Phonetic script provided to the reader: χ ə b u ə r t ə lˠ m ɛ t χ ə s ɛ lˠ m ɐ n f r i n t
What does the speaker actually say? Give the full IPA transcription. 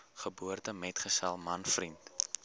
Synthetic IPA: χ ə b u ə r t ə m ɛ t χ ə s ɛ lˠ m ɐ n f r i n t